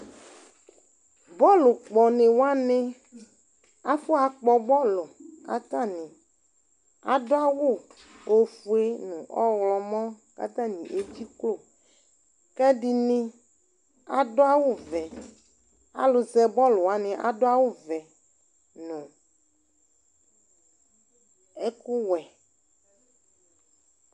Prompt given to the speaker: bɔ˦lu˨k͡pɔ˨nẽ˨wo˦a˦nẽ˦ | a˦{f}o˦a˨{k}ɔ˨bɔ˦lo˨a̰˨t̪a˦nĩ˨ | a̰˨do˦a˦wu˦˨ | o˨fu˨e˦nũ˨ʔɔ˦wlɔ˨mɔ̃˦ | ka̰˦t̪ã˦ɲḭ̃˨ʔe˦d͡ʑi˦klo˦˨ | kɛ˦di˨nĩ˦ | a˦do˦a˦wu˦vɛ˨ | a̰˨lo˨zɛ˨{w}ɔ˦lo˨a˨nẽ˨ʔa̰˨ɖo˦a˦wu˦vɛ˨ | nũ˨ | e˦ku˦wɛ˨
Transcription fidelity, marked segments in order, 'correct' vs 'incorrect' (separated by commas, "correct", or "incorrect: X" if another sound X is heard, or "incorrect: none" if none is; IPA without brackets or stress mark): correct, incorrect: k͡p, incorrect: b